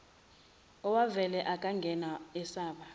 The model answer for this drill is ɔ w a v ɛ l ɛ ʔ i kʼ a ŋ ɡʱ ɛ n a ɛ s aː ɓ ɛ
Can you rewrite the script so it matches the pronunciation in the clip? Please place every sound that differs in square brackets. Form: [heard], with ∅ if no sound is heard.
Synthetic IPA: ɔ w a v ɛ l ɛ ʔ [a] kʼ a ŋ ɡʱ ɛ n a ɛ s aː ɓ [a]